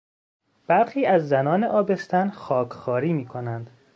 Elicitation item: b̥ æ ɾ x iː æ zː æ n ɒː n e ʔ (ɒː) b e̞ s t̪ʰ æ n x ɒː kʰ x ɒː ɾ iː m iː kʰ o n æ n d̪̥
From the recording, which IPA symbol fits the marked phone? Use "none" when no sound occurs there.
ɒː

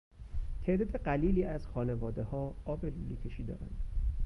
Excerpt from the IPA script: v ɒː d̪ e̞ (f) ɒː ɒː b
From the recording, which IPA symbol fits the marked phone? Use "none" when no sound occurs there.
h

